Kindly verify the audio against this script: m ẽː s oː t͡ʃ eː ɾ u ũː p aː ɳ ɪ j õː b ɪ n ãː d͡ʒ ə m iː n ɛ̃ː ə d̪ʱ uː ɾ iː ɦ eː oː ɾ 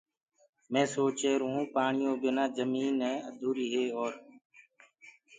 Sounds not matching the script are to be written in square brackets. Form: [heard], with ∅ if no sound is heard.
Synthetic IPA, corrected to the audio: m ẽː s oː t͡ʃ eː ɾ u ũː p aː ɳ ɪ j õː b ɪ n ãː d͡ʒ ə m iː n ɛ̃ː ə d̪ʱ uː ɾ iː ɦ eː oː ɾ